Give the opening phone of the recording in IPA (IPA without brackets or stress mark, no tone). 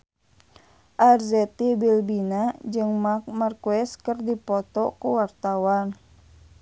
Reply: ʔ